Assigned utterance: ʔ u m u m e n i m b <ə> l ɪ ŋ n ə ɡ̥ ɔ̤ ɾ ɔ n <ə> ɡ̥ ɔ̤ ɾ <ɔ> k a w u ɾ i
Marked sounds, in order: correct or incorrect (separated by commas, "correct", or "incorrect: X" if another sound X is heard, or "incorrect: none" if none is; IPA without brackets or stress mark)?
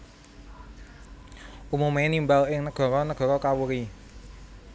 incorrect: a, correct, correct